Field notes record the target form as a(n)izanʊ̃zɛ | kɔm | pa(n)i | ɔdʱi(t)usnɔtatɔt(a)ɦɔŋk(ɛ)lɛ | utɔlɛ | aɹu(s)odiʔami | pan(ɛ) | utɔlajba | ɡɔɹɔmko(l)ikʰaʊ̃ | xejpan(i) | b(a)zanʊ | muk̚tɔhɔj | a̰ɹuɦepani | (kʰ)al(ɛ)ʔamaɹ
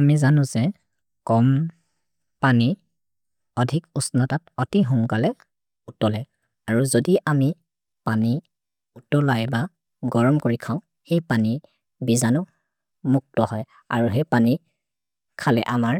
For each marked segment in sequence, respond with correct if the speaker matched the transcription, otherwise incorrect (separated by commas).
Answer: incorrect, correct, incorrect, incorrect, incorrect, incorrect, incorrect, incorrect, correct, incorrect, correct, correct